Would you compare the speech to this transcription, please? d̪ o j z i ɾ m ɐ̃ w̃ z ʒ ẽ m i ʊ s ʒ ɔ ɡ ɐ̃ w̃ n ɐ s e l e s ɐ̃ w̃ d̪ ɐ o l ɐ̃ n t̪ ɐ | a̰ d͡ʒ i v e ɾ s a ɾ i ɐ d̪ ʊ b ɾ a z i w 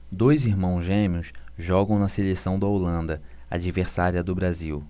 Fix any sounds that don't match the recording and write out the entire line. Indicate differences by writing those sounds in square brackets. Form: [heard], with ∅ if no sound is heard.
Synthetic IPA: d̪ o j z i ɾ m ɐ̃ w̃ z ʒ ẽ m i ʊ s ʒ ɔ ɡ ɐ̃ w̃ n ɐ s e l e s ɐ̃ w̃ d̪ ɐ o l ɐ̃ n [d̪] ɐ | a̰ d͡ʒ i v e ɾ s a ɾ i ɐ d̪ ʊ b ɾ a z i w

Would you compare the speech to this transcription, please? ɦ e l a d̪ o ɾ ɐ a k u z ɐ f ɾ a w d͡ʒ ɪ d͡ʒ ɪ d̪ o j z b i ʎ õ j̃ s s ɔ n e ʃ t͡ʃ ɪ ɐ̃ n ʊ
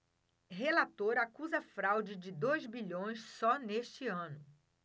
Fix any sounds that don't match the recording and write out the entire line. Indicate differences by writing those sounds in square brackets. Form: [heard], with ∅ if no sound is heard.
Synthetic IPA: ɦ e l a [t̪] o ɾ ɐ a k u z ɐ f ɾ a w d͡ʒ ɪ d͡ʒ ɪ d̪ o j z b i ʎ õ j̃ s s ɔ n e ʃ t͡ʃ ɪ ɐ̃ n ʊ

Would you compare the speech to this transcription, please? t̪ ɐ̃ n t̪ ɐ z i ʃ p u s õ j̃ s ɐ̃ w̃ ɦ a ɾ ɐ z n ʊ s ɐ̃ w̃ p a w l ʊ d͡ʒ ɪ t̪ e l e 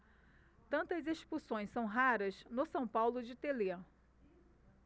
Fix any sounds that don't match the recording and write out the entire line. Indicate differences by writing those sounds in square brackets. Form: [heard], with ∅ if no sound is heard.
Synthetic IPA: t̪ ɐ̃ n t̪ ɐ z [e] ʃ p u s õ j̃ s ɐ̃ w̃ ɦ a ɾ ɐ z n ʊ s ɐ̃ w̃ p a w l ʊ d͡ʒ ɪ t̪ e l e

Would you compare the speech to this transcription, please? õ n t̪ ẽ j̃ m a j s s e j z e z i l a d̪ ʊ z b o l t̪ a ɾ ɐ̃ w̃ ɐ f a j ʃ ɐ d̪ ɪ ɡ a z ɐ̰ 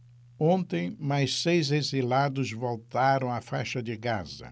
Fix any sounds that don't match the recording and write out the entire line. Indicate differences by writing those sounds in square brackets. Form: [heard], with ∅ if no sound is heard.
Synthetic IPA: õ n t̪ ẽ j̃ m a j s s e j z e z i l a d̪ ʊ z [v] o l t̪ a ɾ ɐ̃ w̃ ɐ f a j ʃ ɐ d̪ ɪ ɡ a z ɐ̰

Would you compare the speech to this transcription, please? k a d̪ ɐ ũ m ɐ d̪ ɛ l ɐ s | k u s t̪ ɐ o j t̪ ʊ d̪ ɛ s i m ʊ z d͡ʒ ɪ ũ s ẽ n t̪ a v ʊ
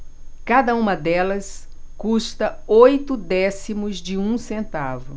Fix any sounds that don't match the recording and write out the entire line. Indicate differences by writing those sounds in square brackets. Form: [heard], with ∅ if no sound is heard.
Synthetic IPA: k a d̪ ɐ ũ m ɐ d̪ ɛ l ɐ s | k u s t̪ ɐ o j t̪ ʊ d̪ ɛ s i m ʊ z d͡ʒ ɪ ũ s ẽ n t̪ a v ʊ

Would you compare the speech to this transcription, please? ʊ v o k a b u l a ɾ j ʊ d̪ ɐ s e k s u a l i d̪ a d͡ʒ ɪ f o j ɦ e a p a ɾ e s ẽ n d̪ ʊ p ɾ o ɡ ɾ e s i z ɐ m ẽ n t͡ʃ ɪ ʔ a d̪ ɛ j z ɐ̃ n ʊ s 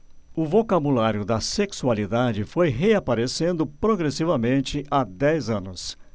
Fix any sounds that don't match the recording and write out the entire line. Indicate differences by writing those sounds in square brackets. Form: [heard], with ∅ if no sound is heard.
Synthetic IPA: ʊ v o k a b u l a ɾ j ʊ d̪ ɐ s e k s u a l i d̪ a d͡ʒ ɪ f o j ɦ e a p a ɾ e s ẽ n d̪ ʊ p ɾ o ɡ ɾ e s i [v] ɐ m ẽ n t͡ʃ ɪ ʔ a d̪ ɛ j z ɐ̃ n ʊ s

